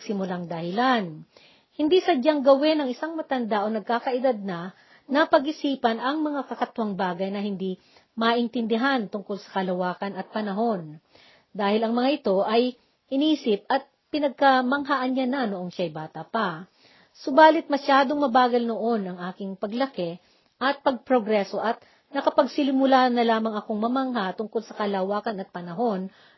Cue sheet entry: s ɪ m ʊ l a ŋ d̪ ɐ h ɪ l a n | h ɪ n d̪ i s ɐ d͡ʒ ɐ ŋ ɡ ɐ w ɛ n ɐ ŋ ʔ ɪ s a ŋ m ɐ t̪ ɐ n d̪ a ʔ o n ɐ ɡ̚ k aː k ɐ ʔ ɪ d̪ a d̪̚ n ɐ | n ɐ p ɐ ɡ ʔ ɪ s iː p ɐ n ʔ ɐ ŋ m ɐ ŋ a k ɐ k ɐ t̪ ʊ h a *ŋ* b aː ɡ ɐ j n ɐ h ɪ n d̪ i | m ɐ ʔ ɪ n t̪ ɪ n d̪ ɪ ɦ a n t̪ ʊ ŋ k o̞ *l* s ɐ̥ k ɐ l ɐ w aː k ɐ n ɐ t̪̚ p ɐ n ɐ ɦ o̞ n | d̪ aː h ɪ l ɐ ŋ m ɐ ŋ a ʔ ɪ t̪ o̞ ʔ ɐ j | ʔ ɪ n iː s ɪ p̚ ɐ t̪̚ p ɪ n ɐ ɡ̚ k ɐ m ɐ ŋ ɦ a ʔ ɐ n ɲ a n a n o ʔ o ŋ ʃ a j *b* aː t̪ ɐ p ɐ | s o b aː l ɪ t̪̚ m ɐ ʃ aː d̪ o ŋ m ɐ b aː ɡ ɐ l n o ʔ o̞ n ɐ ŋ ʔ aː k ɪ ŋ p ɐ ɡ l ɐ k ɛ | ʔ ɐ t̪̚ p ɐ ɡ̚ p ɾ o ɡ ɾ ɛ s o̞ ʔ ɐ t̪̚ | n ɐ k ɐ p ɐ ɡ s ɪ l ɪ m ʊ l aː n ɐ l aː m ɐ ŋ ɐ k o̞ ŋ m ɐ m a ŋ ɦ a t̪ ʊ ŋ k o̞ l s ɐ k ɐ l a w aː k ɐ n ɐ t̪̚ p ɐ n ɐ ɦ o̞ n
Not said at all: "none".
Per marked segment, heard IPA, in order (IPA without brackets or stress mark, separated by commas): ŋ, l, b